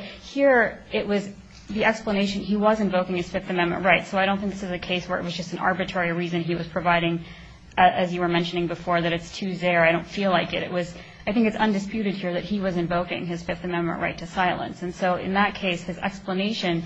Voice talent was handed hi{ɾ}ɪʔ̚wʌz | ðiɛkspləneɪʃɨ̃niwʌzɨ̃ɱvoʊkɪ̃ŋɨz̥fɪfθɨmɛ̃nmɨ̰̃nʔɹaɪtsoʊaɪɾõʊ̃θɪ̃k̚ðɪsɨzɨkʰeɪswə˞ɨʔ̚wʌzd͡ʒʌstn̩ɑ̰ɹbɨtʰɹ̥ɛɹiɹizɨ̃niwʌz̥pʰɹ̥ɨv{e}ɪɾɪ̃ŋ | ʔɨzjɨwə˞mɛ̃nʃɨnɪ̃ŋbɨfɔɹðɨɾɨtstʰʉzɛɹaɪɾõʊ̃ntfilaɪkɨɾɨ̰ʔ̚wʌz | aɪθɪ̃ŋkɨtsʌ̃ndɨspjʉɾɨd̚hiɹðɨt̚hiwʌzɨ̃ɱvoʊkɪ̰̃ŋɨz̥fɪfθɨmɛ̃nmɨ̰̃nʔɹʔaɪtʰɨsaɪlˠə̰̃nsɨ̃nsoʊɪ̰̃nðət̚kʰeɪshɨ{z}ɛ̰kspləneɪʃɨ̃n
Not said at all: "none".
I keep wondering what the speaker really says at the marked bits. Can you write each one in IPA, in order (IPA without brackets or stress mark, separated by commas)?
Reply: ɹ, a, z